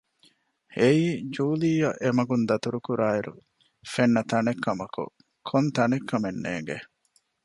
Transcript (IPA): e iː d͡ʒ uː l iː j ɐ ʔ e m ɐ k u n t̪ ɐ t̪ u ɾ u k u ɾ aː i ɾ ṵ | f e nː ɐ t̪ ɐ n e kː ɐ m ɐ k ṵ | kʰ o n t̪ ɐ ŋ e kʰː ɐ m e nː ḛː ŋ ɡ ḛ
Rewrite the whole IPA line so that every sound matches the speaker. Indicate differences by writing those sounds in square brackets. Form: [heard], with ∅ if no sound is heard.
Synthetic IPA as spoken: e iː d͡ʒ uː l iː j ɐ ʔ e m ɐ [ɡ] u n [d̪] ɐ t̪ u ɾ u k u ɾ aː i ɾ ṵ | f e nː ɐ t̪ ɐ n e kː ɐ m ɐ k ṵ | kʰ o n t̪ ɐ [n] e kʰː ɐ m e nː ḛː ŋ ɡ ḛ